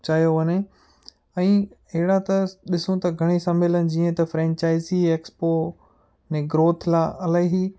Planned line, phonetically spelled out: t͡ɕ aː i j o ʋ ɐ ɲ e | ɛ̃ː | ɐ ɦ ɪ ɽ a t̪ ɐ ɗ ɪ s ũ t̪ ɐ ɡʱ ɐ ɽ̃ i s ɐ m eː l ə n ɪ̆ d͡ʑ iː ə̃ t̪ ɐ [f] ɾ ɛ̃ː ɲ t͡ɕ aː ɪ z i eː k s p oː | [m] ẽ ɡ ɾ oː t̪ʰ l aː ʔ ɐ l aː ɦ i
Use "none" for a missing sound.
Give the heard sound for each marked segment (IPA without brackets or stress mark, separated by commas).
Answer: f, n